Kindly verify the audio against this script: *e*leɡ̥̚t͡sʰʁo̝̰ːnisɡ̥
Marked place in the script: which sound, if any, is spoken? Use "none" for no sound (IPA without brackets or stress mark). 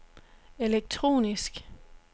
e